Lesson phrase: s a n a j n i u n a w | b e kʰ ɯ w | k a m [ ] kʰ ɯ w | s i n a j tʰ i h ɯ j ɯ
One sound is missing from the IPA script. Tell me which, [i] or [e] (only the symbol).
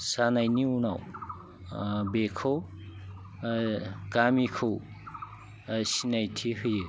i